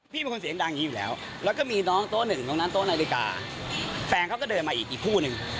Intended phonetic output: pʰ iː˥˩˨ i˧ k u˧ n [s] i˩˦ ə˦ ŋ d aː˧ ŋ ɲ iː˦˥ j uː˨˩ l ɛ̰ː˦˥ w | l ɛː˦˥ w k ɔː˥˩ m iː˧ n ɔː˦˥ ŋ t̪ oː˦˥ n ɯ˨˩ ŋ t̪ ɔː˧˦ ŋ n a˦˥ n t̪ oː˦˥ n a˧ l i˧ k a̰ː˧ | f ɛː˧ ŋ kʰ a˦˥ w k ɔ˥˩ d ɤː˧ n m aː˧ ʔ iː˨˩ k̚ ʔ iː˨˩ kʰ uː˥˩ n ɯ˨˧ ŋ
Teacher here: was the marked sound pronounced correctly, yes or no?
yes